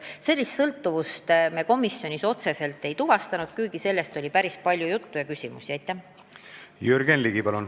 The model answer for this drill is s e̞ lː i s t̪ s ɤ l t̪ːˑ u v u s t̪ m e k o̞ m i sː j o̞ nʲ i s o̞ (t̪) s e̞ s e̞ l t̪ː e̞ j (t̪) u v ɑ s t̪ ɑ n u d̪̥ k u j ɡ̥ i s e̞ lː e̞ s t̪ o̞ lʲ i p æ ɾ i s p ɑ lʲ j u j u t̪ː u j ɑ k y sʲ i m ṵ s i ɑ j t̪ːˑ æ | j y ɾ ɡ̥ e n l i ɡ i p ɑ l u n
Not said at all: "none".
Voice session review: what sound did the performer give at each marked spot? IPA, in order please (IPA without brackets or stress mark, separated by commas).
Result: t̪, t̪